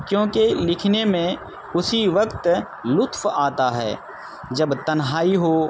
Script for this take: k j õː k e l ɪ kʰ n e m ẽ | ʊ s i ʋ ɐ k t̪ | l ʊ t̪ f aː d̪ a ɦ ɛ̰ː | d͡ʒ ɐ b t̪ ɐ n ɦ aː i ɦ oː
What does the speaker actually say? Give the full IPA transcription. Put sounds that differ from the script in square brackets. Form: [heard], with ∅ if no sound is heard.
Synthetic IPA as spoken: k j õː k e l ɪ kʰ n e m ẽ | ʊ s i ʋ ɐ k t̪ | l ʊ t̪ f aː [t̪] a ɦ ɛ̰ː | d͡ʒ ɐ b t̪ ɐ n ɦ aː i ɦ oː